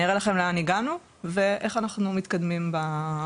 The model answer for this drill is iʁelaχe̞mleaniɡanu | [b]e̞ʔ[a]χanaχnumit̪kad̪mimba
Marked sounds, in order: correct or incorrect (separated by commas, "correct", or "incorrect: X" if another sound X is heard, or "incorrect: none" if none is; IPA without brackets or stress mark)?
incorrect: v, incorrect: e